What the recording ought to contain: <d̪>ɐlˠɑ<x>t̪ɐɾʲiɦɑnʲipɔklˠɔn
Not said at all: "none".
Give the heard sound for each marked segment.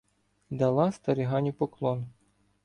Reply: d̪, s

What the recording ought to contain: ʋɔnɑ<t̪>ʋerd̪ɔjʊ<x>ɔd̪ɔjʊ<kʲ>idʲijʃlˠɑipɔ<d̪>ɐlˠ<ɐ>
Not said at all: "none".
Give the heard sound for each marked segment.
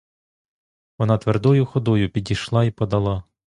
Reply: t̪, x, pʲ, d̪, ɑ

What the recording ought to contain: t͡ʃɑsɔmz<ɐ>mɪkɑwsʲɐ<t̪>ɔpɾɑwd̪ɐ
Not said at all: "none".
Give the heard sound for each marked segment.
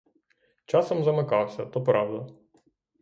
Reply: ɐ, t̪

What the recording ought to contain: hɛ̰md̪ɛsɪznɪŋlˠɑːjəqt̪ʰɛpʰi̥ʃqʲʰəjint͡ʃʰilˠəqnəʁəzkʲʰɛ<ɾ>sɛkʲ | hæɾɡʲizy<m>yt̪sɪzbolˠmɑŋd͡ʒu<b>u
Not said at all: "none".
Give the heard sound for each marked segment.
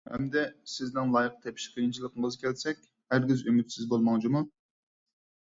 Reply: l, m, m

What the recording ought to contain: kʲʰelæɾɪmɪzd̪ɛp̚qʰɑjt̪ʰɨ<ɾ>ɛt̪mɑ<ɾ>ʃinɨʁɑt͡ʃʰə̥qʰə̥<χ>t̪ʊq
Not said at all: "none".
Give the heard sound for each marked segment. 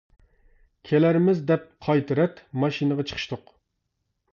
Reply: ɾ, none, ʃ

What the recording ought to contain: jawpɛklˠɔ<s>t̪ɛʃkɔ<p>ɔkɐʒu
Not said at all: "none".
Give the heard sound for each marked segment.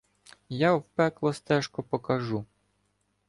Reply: s, p

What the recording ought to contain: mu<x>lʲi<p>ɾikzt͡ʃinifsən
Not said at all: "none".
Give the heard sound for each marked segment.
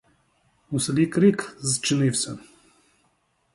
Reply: s, k

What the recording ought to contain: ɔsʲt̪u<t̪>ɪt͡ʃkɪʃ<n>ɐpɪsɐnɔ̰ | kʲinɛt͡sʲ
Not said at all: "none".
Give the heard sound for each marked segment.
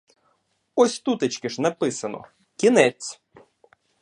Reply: t̪, n

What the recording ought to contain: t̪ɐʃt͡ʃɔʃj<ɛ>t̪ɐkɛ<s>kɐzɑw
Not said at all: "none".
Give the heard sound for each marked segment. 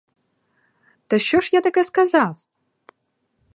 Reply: a, s

